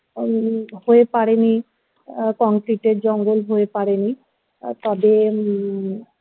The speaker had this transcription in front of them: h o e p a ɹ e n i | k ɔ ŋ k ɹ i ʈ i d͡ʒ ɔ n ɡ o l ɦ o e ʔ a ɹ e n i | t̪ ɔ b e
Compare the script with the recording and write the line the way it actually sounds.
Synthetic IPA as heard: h o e p a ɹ e n i | k ɔ ŋ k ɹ i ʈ e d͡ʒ ɔ ŋ ɡ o l ɦ o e p a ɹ e n i | t̪ ɔ b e